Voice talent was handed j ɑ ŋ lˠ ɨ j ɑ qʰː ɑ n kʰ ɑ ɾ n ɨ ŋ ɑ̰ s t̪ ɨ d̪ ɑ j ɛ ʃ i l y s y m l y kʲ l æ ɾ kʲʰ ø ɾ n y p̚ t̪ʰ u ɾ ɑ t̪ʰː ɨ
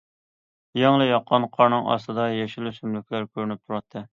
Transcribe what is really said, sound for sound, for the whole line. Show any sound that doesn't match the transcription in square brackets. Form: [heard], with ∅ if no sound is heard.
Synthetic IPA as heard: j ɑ ŋ lˠ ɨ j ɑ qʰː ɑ n [qʰ] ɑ ɾ n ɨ ŋ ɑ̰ s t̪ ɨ d̪ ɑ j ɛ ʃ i l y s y m l y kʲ l æ ɾ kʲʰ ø ɾ n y p̚ t̪ʰ u ɾ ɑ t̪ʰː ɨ